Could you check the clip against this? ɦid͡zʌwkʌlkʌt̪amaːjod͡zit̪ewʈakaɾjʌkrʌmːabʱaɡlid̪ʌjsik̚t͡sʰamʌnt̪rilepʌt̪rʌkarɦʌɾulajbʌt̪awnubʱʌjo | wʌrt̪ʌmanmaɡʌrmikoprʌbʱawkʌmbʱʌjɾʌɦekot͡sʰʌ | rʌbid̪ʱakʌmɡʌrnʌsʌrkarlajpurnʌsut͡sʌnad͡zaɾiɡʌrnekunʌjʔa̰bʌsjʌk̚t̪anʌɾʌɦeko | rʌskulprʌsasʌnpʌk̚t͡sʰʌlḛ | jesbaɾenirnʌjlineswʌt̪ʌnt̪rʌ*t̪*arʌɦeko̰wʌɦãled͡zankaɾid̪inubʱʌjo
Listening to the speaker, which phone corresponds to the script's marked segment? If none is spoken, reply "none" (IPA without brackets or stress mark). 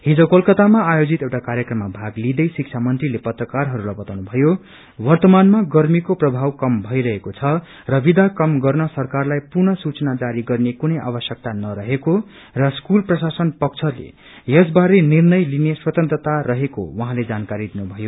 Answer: t̪